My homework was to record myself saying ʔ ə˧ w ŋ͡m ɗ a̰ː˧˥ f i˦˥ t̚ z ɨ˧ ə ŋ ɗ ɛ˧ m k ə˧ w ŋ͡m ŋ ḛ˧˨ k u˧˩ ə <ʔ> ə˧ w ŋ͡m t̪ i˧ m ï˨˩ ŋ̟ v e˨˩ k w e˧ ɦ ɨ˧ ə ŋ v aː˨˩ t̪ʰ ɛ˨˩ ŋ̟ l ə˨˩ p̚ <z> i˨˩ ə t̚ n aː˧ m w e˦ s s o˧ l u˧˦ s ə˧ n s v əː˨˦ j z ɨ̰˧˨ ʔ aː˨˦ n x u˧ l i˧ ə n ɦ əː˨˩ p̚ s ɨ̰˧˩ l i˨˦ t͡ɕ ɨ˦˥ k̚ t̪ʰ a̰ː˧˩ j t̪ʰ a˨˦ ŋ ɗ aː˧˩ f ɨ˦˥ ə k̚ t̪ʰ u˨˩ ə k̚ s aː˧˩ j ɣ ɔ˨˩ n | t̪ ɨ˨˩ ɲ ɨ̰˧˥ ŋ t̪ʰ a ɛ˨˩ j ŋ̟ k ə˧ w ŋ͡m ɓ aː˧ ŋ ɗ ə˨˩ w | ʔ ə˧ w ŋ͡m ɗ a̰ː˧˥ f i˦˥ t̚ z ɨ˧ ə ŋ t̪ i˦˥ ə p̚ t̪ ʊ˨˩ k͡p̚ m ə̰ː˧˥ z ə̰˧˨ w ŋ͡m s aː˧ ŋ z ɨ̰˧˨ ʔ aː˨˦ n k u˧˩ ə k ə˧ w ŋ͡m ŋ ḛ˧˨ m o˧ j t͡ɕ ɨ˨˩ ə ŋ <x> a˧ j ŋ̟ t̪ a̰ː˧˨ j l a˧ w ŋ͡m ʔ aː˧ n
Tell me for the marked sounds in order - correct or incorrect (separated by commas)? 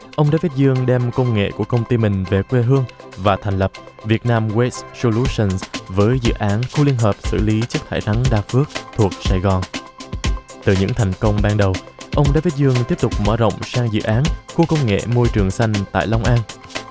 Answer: incorrect, incorrect, incorrect